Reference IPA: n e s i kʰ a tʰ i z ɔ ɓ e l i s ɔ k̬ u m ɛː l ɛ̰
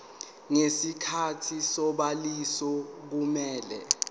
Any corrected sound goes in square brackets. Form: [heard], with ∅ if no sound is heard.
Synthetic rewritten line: [ŋ] e s i kʰ a tʰ i [s] ɔ ɓ [a] l i s ɔ k̬ u m ɛː l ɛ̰